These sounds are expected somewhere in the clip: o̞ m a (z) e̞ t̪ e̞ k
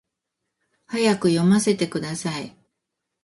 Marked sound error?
yes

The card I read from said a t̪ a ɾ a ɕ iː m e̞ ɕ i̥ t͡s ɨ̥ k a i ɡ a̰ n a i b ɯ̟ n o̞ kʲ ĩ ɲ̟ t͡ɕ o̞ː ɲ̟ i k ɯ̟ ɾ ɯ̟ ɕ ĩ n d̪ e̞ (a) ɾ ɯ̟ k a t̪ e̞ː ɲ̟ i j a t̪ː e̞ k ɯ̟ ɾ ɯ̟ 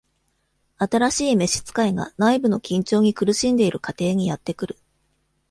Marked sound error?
yes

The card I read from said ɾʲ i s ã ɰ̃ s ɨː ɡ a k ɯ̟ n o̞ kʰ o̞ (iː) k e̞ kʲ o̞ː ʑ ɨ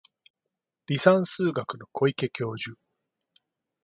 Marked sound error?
yes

